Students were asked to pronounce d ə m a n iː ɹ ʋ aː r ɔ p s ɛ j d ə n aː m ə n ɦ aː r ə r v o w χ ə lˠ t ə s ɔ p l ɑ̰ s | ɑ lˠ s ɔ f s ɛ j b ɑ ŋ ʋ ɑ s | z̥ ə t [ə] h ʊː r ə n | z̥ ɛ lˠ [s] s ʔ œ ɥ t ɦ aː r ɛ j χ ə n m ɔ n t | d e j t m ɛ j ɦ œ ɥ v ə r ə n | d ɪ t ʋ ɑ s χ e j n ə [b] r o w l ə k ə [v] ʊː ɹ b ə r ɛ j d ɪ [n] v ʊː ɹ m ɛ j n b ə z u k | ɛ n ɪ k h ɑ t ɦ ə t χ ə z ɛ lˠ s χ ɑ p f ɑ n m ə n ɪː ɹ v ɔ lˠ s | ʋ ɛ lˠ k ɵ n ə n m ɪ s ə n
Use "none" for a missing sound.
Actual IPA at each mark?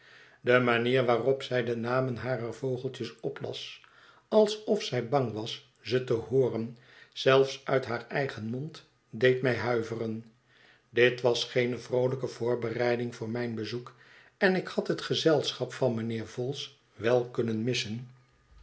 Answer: ə, f, v, v, ŋ

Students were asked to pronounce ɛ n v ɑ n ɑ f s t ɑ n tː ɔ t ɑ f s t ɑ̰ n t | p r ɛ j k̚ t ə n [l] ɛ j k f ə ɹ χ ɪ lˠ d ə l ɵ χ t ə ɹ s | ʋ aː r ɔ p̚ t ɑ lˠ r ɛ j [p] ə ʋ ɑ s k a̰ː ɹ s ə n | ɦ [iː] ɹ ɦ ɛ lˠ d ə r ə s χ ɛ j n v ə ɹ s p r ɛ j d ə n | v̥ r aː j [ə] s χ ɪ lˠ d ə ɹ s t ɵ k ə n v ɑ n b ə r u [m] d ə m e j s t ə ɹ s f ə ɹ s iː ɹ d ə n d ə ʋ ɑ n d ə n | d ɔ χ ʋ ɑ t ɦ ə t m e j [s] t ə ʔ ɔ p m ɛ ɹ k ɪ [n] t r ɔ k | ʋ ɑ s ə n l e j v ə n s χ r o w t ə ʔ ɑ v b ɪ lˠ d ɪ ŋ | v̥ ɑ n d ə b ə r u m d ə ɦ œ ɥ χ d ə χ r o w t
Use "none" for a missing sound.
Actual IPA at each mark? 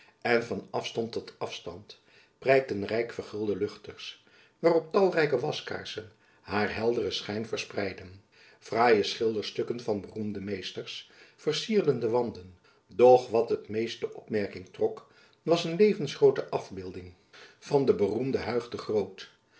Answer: r, k, aː, ə, m, s, ŋ

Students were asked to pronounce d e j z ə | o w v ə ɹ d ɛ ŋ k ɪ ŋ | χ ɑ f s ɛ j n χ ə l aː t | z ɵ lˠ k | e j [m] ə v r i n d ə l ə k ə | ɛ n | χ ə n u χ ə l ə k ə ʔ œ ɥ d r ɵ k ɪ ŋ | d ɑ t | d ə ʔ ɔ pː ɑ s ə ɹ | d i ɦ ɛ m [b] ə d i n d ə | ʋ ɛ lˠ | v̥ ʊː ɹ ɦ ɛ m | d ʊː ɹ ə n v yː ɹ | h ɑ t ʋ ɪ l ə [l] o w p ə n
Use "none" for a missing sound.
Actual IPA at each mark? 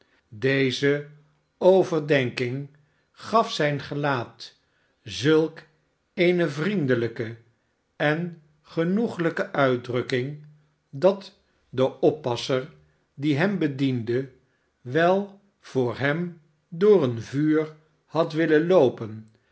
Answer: n, b, l

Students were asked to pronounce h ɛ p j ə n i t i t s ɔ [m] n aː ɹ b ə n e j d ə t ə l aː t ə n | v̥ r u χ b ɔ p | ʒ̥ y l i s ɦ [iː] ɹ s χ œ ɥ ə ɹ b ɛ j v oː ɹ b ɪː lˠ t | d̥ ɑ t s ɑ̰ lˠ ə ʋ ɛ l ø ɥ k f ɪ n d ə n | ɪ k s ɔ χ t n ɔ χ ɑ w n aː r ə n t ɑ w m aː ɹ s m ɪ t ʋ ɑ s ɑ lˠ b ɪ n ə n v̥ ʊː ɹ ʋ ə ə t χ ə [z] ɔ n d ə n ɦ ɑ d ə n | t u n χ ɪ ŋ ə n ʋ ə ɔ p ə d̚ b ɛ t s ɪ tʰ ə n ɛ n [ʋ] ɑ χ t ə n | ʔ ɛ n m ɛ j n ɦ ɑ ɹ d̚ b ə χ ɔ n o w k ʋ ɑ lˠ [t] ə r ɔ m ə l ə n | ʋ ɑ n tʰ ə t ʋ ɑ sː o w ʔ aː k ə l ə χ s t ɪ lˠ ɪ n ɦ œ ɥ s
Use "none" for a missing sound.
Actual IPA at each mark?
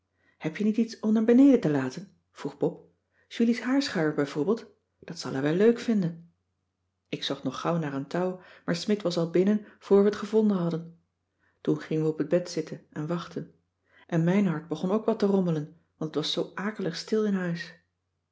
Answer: m, aː, v, ʋ, t

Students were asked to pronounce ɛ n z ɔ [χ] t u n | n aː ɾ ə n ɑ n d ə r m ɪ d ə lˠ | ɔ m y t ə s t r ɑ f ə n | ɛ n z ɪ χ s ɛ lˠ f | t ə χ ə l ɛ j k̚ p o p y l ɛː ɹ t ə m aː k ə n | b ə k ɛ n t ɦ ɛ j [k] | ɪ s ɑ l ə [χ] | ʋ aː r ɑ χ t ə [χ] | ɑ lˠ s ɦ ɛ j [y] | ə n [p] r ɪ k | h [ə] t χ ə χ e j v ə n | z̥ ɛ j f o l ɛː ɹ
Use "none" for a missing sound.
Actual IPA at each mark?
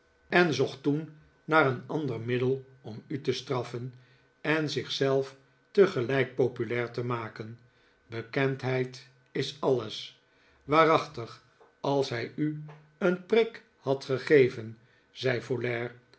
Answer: χ, t, s, χ, y, p, ɑ

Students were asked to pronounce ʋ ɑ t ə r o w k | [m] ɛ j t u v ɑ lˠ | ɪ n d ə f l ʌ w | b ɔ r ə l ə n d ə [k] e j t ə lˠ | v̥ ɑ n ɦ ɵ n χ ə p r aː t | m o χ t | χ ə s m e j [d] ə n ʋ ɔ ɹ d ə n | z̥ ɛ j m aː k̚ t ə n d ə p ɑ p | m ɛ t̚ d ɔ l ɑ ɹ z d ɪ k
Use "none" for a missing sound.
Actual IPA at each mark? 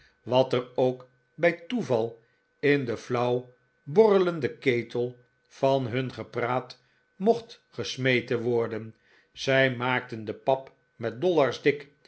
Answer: b, k, t

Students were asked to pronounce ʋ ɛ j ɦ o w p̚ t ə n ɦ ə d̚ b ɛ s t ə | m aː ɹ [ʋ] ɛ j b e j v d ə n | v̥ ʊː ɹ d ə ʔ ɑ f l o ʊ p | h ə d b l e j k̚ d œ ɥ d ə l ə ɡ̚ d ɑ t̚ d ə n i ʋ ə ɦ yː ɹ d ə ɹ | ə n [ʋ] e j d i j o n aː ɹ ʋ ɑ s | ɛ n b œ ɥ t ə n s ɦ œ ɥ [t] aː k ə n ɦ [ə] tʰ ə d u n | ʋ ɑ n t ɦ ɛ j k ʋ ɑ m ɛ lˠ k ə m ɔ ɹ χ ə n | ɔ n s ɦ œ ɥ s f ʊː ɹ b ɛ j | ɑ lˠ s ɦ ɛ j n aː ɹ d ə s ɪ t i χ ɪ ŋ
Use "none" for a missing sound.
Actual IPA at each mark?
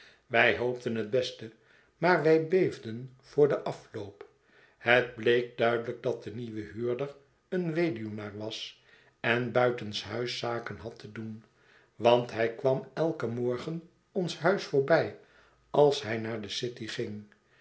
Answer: ʋ, ʋ, s, ɑ

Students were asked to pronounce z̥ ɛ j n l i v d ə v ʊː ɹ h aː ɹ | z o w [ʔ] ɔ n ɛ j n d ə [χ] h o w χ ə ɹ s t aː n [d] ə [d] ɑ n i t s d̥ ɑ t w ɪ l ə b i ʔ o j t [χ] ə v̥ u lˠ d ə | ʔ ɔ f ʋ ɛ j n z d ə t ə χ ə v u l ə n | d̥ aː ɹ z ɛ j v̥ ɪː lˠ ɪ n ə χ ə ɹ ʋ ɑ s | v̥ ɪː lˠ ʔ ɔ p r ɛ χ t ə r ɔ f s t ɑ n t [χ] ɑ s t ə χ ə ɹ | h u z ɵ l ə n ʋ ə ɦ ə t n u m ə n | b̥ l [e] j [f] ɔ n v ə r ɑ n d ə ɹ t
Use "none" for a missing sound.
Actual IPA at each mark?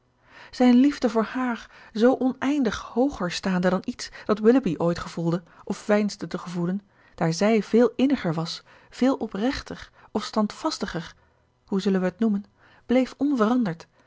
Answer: ʔ, χ, d, d, χ, f, e, f

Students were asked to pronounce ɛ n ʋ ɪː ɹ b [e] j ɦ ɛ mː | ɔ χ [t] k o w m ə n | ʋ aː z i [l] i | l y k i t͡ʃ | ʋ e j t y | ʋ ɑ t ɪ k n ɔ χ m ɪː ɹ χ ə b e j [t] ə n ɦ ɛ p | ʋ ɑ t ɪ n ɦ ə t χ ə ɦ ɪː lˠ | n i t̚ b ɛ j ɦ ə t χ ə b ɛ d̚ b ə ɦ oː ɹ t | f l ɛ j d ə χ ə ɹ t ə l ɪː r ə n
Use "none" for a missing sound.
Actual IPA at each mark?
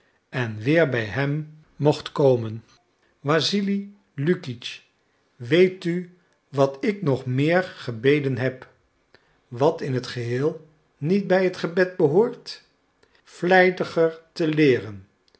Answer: ɛ, t, l, d

